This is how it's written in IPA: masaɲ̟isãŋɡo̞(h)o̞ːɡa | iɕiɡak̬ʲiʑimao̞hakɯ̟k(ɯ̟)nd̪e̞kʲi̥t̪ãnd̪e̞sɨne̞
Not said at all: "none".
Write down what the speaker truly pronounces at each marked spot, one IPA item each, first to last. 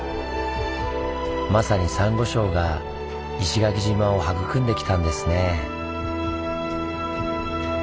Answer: ɕ, ɯ̟̃

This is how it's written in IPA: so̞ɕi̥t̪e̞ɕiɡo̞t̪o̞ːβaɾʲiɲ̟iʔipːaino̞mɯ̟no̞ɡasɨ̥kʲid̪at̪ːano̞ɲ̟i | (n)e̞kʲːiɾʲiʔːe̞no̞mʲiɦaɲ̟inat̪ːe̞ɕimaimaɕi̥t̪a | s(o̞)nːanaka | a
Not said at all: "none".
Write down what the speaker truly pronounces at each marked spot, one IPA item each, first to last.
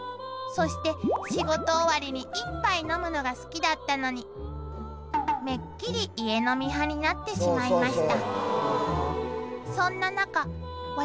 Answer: m, õ̞

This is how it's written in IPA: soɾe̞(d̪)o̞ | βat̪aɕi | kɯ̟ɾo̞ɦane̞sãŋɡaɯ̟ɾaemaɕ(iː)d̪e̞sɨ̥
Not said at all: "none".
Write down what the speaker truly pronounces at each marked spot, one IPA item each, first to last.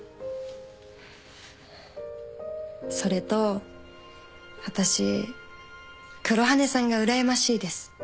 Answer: t̪, iː

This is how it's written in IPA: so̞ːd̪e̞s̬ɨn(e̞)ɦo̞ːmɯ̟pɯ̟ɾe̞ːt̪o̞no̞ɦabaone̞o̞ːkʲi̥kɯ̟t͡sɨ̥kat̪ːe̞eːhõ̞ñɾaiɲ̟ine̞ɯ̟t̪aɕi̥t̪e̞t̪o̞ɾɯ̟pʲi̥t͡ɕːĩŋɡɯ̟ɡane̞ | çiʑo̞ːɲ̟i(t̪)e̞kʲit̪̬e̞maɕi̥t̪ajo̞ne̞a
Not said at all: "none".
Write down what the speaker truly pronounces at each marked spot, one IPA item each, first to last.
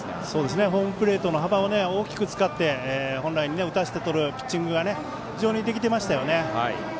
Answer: e̞, d̪

